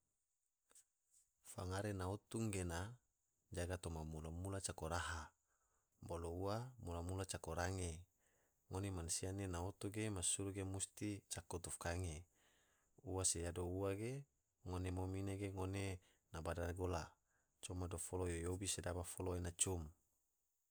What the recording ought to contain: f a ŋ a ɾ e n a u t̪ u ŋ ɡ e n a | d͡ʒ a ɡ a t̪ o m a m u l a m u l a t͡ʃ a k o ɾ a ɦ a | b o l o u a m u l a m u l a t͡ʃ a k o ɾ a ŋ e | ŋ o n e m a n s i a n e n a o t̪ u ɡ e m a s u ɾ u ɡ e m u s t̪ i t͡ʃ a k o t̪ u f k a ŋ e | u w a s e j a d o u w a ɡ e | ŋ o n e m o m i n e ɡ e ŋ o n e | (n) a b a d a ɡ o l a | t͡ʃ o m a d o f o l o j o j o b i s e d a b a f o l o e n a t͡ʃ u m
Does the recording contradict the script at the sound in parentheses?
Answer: no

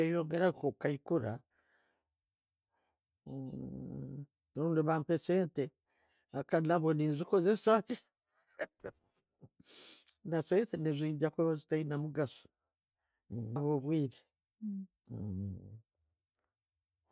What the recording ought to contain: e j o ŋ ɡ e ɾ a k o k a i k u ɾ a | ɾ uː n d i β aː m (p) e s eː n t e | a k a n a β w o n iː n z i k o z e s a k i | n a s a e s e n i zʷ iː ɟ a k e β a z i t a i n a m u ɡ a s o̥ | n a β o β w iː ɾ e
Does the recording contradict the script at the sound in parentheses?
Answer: no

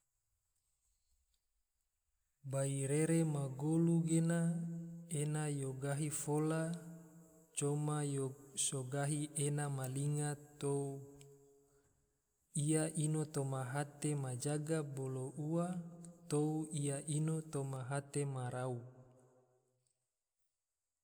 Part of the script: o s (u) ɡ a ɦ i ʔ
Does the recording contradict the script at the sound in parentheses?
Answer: yes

